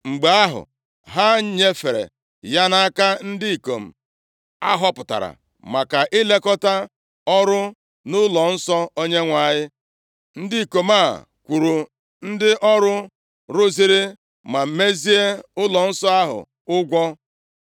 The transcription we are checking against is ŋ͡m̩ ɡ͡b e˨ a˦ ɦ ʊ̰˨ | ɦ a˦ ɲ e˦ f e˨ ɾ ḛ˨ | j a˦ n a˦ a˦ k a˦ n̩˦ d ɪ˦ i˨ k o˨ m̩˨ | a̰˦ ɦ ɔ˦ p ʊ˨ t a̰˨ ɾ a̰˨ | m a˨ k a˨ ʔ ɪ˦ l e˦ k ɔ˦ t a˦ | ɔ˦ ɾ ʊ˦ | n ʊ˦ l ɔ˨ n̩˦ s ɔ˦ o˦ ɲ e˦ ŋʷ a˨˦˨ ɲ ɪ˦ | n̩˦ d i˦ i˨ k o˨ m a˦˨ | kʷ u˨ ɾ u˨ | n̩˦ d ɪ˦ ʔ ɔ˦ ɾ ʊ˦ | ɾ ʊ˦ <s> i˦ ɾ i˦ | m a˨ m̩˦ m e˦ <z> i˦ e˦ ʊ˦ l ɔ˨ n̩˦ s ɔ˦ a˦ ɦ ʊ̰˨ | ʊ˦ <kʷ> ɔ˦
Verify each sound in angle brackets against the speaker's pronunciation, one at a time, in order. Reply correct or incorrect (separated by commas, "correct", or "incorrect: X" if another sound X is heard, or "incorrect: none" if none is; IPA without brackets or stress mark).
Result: incorrect: z, correct, incorrect: ɡʷ